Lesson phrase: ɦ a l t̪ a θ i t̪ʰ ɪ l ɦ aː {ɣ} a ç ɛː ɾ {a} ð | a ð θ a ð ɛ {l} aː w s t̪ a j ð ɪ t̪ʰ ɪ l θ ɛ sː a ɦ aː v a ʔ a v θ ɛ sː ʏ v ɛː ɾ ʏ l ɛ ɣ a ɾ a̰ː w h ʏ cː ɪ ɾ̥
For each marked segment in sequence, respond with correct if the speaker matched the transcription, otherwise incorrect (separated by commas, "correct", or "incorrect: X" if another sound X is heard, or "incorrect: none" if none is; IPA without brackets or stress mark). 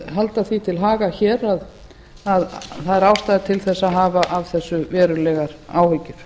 correct, correct, incorrect: ɾ